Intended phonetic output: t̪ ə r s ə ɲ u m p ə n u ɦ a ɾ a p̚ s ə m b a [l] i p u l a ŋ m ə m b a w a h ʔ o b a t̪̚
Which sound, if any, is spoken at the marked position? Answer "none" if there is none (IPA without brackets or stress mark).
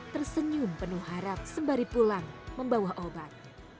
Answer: ɾ